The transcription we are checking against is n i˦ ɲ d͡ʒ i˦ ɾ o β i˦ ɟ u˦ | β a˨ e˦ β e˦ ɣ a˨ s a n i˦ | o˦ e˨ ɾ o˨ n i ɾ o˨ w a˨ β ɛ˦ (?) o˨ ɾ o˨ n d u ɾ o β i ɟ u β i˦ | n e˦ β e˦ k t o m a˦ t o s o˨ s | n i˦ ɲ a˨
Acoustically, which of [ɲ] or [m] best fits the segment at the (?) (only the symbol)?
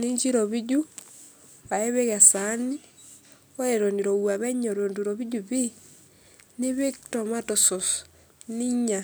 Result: ɲ